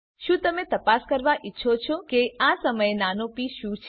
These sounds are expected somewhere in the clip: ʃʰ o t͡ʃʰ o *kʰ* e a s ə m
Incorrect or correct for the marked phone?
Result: incorrect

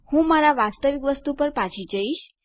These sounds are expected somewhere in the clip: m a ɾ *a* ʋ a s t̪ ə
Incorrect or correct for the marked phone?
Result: correct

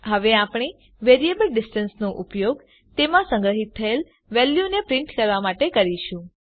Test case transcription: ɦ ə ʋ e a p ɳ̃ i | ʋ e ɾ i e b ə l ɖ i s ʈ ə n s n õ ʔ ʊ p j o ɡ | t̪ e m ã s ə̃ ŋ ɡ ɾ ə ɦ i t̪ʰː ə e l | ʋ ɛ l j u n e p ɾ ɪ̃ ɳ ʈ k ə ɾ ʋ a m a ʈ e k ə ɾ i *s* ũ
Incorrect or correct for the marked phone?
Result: incorrect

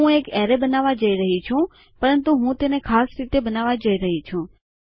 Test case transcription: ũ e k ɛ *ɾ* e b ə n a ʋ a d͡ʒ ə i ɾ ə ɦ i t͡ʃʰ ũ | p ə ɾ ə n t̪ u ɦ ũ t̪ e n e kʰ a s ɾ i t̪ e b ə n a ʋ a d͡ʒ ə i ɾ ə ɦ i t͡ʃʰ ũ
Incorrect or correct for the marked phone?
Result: correct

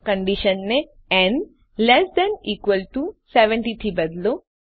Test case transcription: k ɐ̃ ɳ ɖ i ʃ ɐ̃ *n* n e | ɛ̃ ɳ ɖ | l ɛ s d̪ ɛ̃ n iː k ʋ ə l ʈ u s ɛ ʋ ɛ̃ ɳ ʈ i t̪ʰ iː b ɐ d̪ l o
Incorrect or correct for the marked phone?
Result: correct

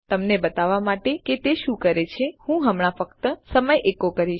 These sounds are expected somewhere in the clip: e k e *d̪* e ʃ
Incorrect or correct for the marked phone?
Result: incorrect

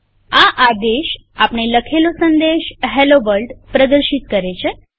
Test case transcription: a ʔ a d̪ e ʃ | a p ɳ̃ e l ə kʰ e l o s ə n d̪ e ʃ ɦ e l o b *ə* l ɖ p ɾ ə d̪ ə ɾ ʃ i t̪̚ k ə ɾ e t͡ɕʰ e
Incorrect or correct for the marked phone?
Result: correct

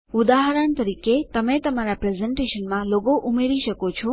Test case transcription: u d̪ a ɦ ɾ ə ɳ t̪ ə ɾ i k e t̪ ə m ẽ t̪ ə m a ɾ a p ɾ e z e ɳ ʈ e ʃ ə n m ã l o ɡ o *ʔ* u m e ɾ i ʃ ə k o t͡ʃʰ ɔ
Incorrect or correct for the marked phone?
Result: correct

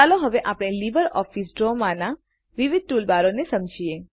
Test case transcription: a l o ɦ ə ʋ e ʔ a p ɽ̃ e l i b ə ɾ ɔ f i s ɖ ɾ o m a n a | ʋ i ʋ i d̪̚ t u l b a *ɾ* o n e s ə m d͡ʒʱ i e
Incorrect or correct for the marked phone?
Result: correct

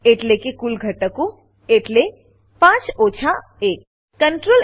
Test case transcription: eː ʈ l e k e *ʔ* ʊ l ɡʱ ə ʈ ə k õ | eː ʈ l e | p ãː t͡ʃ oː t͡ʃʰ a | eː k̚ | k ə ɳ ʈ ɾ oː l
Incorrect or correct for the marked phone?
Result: incorrect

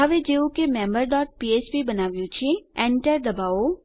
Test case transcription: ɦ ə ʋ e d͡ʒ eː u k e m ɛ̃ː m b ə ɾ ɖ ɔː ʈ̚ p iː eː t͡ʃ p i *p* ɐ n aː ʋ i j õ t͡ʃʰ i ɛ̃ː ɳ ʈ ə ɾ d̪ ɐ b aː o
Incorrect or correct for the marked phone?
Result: incorrect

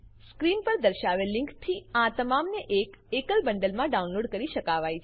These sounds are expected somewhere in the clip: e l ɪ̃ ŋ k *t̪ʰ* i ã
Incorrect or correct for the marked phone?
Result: correct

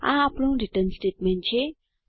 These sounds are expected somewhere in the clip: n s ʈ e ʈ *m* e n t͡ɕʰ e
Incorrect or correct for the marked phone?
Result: correct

